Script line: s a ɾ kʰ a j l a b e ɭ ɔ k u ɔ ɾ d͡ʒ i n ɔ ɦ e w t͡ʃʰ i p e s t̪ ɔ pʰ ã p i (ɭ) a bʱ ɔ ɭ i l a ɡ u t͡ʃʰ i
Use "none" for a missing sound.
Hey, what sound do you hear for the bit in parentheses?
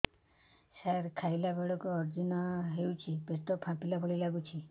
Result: l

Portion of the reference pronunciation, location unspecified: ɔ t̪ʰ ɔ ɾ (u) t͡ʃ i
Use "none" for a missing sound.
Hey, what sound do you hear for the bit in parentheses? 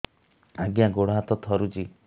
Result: u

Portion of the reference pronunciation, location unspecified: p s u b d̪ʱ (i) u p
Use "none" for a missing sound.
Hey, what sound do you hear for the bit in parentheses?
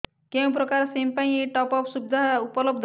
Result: a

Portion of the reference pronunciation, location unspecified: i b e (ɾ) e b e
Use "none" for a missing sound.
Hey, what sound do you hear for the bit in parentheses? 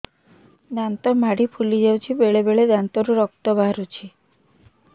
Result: ɭ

